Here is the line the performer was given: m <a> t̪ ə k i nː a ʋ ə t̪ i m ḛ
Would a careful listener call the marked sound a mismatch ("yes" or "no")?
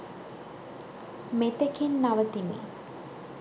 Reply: yes